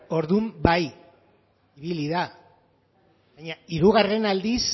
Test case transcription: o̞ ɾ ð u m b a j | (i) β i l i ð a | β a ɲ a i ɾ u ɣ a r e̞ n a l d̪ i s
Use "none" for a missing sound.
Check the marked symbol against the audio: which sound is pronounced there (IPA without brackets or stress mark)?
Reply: i